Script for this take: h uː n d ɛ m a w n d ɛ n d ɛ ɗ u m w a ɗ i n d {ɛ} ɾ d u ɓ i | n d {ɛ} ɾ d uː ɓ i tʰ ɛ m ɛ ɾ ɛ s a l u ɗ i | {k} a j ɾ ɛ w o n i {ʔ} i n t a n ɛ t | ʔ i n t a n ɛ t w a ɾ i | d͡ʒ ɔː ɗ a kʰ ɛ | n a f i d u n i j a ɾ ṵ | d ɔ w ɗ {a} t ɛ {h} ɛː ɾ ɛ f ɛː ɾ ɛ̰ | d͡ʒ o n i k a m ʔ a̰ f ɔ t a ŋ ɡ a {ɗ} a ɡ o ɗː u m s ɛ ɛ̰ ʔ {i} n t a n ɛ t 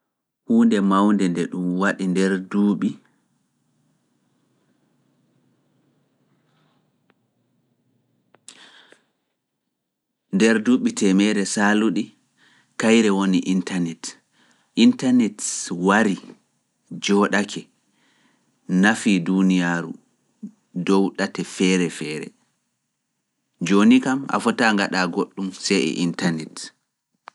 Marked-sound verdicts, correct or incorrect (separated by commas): correct, correct, correct, correct, correct, incorrect, correct, correct